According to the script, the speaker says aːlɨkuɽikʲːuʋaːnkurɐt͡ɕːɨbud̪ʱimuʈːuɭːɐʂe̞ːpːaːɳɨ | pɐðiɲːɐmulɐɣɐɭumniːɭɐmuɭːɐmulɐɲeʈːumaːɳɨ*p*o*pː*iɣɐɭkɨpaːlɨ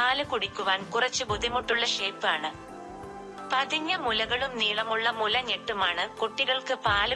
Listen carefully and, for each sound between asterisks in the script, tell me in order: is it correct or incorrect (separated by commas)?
incorrect, incorrect